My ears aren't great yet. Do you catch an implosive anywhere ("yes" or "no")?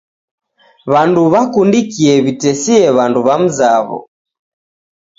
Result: no